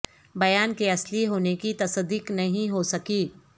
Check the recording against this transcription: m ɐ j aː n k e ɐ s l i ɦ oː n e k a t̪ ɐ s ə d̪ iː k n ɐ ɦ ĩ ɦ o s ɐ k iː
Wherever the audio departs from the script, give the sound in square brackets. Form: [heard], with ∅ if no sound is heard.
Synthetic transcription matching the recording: [b] ɐ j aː n k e ɐ s l i ɦ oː n e k [i] t̪ ɐ s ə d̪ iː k n ɐ ɦ ĩ ɦ o s ɐ k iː